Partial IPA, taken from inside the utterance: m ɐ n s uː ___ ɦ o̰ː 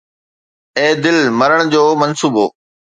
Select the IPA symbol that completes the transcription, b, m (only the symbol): b